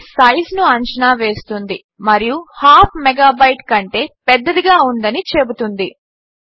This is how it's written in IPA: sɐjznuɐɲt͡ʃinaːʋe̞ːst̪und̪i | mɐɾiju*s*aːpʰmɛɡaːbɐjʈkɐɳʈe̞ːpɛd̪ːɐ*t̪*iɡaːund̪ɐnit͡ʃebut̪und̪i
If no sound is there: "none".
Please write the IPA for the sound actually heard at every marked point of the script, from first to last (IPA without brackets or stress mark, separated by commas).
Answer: h, d̪